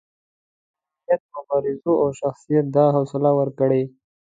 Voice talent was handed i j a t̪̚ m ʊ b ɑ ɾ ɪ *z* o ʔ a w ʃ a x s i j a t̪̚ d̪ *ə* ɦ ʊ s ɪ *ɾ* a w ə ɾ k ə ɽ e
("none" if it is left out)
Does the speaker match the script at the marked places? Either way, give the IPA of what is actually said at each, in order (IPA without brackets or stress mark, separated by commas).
z, ɑ, l